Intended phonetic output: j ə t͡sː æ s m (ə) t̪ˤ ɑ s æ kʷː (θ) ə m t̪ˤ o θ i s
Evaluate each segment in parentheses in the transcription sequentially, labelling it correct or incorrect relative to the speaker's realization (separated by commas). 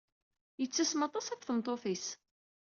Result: incorrect, correct